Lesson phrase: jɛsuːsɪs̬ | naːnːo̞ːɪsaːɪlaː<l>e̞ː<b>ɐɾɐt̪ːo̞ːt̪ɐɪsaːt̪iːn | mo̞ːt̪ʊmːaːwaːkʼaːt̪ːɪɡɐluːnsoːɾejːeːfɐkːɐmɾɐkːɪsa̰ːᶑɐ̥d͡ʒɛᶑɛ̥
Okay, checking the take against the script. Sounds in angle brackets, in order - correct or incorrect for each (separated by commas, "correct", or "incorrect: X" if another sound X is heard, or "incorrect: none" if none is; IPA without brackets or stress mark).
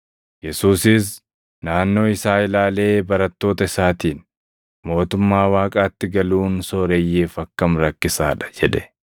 correct, correct